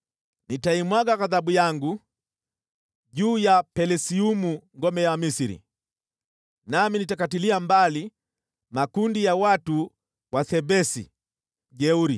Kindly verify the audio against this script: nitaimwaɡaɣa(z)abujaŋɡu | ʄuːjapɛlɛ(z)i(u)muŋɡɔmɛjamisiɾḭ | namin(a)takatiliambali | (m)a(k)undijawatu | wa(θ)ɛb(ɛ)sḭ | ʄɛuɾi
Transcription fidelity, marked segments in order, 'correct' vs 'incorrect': incorrect: ð, incorrect: s, correct, incorrect: i, correct, correct, correct, correct

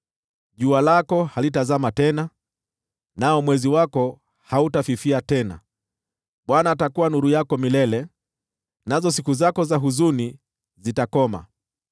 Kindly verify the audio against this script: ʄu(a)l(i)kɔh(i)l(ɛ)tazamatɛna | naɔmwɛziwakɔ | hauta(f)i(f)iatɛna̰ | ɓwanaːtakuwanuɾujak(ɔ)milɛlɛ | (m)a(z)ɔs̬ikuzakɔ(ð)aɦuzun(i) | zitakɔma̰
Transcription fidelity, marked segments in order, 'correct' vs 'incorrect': correct, incorrect: a, incorrect: a, incorrect: i, correct, correct, correct, incorrect: n, correct, incorrect: z, correct

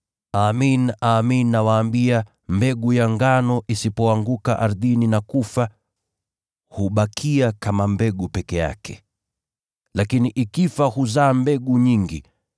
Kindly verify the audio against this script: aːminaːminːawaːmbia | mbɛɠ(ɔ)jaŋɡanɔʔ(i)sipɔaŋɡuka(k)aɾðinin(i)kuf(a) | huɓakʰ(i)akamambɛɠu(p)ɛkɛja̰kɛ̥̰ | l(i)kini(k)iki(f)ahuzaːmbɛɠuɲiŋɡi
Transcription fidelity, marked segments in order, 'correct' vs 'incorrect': incorrect: u, correct, incorrect: ʔ, incorrect: a, correct, correct, correct, incorrect: a, incorrect: ʔ, correct

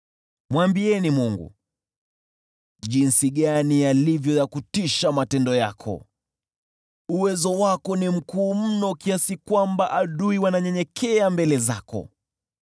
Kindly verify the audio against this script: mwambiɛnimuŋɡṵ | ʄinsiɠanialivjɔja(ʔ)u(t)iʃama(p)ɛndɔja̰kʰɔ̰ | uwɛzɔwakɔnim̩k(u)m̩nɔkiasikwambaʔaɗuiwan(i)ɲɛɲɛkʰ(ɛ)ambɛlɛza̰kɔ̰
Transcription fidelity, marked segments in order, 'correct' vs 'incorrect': incorrect: k, correct, incorrect: t, incorrect: uː, incorrect: a, correct

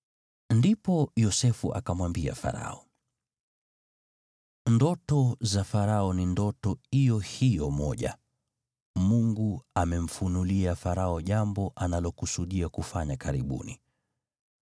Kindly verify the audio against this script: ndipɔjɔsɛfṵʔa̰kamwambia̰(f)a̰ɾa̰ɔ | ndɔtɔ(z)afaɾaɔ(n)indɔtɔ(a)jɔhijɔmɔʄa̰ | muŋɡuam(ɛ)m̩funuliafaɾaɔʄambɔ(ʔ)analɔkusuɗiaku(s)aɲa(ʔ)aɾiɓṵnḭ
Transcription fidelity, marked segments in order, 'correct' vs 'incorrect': correct, correct, correct, incorrect: i, correct, correct, incorrect: f, incorrect: k

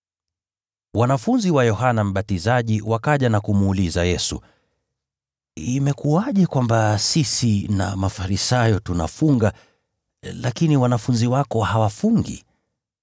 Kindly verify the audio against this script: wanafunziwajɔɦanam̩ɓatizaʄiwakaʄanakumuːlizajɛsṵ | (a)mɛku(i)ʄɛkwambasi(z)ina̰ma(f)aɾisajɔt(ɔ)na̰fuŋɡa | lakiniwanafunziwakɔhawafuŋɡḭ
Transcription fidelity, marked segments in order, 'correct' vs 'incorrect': incorrect: i, incorrect: a, incorrect: s, correct, incorrect: u

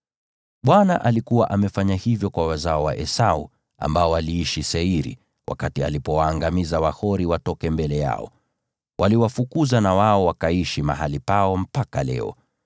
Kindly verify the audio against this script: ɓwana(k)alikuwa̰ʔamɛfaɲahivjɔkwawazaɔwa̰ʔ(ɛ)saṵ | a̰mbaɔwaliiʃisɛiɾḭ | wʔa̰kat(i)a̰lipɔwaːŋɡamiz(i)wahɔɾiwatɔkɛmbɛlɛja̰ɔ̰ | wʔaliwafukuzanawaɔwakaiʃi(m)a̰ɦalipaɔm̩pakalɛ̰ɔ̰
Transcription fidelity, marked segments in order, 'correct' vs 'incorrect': incorrect: ʔ, correct, correct, incorrect: a, correct

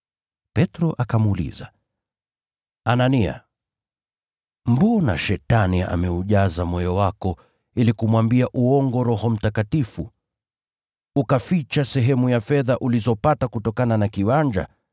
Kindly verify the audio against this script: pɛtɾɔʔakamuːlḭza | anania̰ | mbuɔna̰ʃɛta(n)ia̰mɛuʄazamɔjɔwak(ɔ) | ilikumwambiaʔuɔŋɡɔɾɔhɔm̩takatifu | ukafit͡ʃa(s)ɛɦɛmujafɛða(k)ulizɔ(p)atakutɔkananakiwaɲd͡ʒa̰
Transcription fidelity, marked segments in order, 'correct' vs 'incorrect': correct, correct, correct, incorrect: ʔ, correct

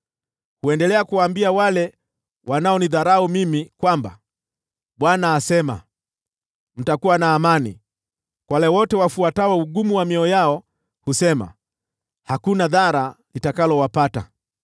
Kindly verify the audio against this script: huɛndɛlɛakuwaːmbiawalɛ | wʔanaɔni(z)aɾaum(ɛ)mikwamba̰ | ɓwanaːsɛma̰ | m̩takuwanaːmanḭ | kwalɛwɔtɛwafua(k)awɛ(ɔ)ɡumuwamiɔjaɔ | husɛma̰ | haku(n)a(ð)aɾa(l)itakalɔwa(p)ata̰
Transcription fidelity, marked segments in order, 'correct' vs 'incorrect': incorrect: ð, incorrect: i, incorrect: t, incorrect: u, correct, correct, correct, correct

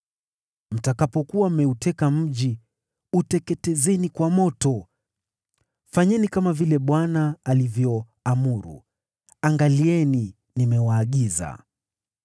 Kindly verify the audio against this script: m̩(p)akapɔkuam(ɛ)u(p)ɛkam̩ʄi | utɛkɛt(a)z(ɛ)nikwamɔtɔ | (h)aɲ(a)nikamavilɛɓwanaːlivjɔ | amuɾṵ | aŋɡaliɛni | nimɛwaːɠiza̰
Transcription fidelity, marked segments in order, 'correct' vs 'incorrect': incorrect: t, correct, incorrect: t, incorrect: ɛ, correct, incorrect: f, incorrect: ɛ

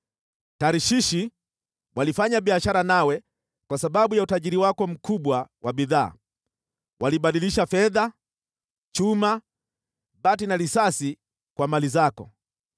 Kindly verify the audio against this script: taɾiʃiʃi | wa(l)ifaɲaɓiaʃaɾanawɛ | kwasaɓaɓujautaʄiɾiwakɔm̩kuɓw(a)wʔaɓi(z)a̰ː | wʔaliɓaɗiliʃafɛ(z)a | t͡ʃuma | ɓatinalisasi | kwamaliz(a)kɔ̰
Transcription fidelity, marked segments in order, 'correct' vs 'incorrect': correct, correct, incorrect: ð, incorrect: ð, correct

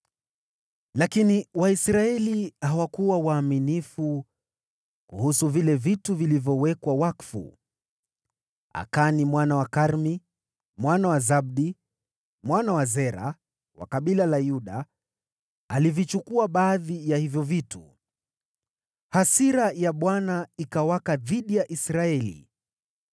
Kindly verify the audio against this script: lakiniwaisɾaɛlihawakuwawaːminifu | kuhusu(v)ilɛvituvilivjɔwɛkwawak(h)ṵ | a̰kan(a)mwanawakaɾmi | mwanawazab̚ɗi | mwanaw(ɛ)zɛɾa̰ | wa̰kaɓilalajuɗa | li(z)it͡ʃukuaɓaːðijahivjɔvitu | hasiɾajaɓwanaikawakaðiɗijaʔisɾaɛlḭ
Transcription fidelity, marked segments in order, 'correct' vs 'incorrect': correct, incorrect: f, incorrect: i, incorrect: a, incorrect: v

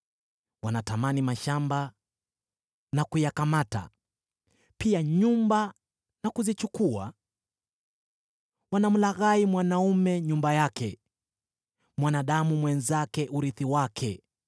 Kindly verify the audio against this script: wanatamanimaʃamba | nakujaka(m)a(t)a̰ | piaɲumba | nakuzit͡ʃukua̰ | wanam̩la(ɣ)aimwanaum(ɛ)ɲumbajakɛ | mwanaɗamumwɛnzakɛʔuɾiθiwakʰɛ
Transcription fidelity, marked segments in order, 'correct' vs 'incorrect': correct, correct, correct, correct

